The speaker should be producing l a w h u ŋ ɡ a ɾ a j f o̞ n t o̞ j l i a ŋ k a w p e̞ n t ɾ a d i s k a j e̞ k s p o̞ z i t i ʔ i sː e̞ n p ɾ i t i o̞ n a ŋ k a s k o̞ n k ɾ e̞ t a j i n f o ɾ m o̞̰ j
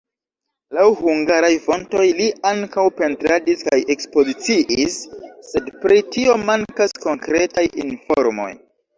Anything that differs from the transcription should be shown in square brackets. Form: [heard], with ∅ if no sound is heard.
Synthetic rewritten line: l a w h u ŋ ɡ a ɾ a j f o̞ n t o̞ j l i a ŋ k a w p e̞ n t ɾ a d i s k a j e̞ k s p o̞ z i [t͡s] i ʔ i sː e̞ [d] p ɾ i t i o̞ [m] a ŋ k a s k o̞ [ŋ] k ɾ e̞ t a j i n f o ɾ m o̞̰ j